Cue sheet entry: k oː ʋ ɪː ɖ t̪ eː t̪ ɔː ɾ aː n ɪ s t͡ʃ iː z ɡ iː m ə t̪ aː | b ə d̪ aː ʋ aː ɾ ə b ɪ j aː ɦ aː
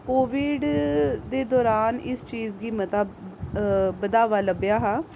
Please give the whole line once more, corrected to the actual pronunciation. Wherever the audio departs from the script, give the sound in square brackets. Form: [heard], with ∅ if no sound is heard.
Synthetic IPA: k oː ʋ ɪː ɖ [d̪] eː [d̪] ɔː ɾ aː n ɪ s t͡ʃ iː z ɡ iː m ə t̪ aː | b ə d̪ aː ʋ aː [l] ə b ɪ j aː ɦ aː